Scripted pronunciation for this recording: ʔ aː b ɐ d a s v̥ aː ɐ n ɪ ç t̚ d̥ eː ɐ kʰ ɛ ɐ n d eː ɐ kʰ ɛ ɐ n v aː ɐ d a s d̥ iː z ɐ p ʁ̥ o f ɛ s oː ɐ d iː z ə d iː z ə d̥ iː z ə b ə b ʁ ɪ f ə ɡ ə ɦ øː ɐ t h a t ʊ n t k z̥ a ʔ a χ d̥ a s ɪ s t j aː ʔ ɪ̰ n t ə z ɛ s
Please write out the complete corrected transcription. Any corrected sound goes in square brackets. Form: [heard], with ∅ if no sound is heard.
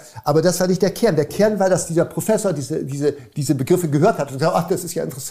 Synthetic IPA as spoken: ʔ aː b ɐ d a s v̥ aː ɐ n ɪ ç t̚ d̥ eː ɐ kʰ ɛ ɐ n d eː ɐ kʰ ɛ ɐ n v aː ɐ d a s d̥ iː z ɐ p ʁ̥ o f ɛ s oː ɐ d iː z ə d iː z ə d̥ iː z ə b ə [ɡ] ʁ ɪ f ə ɡ ə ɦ øː ɐ t h a t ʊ n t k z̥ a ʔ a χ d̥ a s ɪ s t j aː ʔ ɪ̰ n t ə [ʁ] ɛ s